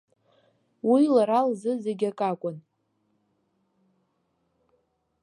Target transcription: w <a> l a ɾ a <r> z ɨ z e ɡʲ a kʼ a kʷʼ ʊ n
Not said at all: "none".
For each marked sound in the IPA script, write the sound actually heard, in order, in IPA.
i, l

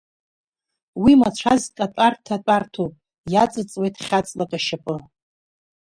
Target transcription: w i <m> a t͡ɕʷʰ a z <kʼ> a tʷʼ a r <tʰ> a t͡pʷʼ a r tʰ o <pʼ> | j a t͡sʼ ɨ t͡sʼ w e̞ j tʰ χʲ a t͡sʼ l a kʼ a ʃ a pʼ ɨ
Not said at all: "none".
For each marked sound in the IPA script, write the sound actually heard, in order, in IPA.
m, kʼ, tʰ, pʼ

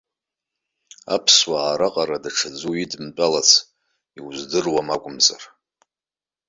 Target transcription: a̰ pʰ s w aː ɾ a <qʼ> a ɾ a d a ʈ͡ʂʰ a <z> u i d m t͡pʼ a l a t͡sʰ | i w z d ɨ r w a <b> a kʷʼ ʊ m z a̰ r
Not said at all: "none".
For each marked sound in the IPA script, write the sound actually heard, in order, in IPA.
qʼ, d͡z, m

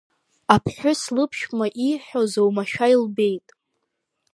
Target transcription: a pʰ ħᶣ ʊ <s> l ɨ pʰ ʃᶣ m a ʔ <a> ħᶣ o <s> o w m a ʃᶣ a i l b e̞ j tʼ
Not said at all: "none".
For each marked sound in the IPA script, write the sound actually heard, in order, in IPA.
s, i, z

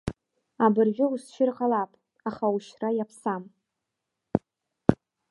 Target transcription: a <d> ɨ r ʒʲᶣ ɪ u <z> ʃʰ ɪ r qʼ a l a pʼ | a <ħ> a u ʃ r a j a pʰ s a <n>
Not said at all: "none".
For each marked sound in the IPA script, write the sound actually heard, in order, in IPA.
b, s, χ, m

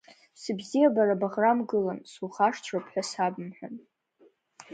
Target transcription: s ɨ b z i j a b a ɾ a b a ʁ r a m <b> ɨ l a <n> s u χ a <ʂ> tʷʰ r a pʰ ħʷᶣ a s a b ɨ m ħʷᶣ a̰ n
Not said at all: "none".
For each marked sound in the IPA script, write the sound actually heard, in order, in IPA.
ɡ, n, ʂ

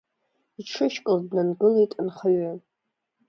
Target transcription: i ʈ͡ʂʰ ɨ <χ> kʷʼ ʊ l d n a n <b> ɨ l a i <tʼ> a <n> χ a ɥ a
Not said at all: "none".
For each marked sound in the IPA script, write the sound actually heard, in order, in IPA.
ʃ, ɡ, tʼ, n

